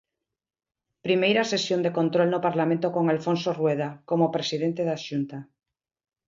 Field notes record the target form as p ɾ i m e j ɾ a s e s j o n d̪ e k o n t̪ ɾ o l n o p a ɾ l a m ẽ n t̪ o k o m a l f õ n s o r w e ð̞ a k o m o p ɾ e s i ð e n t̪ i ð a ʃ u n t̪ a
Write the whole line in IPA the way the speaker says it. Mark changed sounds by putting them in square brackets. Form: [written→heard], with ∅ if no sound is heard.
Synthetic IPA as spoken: p ɾ i m e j ɾ a s e s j o n d̪ e k o n t̪ ɾ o l n o p a ɾ l a m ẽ n t̪ o k o [m→ŋ] a l f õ n s o r w e ð̞ a k o m o p ɾ e s i ð e n t̪ [i→e] ð a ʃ u n t̪ a